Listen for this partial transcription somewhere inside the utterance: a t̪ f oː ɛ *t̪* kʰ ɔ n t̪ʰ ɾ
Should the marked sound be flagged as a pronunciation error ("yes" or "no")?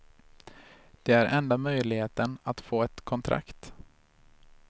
no